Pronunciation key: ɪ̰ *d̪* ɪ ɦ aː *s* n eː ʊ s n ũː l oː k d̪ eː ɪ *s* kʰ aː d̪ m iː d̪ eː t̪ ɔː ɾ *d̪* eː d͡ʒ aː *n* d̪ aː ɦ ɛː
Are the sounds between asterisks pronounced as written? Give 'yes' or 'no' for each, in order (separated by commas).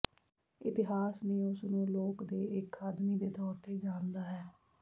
no, yes, no, no, yes